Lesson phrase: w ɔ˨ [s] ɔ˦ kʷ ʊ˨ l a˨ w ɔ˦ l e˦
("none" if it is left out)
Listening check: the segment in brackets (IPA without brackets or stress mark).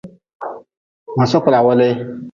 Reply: s